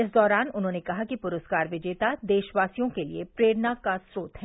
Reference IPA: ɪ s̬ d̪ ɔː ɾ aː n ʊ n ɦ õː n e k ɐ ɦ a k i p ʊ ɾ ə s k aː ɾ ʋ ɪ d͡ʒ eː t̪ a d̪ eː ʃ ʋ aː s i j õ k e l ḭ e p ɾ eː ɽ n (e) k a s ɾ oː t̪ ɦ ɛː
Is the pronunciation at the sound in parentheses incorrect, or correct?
incorrect